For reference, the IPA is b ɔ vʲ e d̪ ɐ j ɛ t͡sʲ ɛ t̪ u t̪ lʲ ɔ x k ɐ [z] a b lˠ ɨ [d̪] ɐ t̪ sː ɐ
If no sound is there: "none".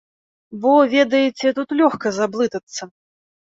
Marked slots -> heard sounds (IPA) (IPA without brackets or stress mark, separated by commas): z, t̪